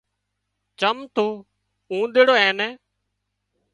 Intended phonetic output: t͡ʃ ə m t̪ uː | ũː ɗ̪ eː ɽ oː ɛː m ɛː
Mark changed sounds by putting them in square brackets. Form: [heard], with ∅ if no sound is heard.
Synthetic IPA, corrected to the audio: t͡ʃ ə m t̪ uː | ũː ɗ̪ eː ɽ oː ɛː [n] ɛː